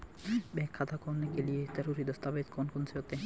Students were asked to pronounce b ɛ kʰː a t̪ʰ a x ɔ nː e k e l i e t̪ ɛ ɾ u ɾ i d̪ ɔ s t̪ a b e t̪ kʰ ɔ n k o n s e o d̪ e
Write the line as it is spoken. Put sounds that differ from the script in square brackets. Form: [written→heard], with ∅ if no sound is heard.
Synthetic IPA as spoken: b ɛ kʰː a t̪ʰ a [x→k] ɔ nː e k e l i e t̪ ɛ ɾ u ɾ i d̪ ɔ s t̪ a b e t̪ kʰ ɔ n k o n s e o [d̪→t̪] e